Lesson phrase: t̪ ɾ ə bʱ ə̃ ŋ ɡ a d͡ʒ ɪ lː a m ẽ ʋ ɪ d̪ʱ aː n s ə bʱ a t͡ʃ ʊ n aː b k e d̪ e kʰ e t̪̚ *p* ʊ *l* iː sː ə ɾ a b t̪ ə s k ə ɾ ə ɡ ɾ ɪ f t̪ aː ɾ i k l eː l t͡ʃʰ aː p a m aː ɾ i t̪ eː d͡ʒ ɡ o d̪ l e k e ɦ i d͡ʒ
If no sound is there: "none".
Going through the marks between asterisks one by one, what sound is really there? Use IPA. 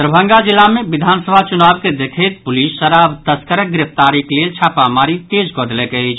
p, l

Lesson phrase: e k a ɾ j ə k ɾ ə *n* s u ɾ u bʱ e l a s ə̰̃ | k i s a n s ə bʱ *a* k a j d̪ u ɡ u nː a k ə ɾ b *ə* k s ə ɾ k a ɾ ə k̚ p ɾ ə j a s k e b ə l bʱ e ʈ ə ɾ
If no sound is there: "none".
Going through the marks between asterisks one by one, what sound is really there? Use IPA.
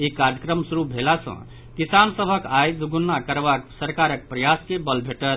m, ə, a

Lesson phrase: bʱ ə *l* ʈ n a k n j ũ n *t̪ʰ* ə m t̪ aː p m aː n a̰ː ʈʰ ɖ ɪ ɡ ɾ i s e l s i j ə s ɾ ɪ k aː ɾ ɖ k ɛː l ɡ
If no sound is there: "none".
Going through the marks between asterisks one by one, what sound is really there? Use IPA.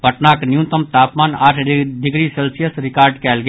none, t̪

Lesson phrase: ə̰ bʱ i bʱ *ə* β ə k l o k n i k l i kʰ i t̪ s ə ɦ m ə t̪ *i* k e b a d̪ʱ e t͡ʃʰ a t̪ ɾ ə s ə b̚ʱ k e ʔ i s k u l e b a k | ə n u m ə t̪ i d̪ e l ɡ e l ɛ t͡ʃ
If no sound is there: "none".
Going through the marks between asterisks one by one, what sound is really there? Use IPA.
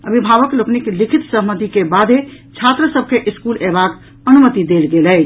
a, i

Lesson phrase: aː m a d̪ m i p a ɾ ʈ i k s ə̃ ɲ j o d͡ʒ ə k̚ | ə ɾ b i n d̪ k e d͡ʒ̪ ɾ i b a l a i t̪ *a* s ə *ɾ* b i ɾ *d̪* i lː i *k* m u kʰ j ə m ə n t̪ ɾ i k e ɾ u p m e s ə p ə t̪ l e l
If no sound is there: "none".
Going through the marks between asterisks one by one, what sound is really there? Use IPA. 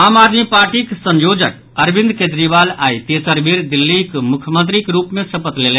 e, ɾ, d̪, k

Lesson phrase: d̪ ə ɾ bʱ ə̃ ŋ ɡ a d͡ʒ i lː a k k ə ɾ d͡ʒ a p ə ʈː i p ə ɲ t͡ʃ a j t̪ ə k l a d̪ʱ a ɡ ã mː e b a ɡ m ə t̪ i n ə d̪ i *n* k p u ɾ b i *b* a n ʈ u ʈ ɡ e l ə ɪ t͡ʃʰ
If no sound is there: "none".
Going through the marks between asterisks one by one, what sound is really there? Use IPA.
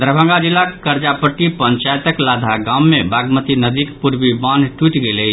none, b

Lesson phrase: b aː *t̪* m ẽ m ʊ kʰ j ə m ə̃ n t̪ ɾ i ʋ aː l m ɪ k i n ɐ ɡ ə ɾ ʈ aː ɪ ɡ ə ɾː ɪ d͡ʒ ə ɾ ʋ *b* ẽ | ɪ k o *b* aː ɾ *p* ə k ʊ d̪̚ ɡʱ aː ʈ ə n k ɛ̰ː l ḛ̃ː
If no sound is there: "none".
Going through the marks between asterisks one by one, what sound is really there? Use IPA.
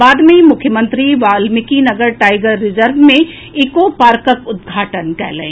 d̪, m, p, k

